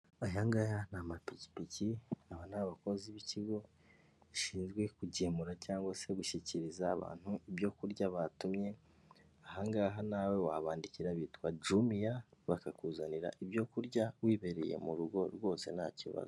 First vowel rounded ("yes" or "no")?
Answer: no